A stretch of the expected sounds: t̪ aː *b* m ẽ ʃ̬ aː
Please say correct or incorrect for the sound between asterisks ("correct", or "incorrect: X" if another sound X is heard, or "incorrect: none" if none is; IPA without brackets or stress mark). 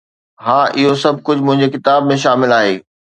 correct